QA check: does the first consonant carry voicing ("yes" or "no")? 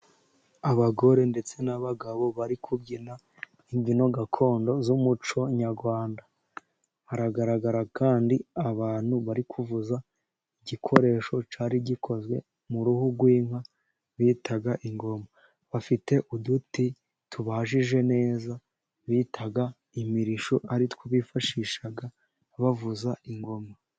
yes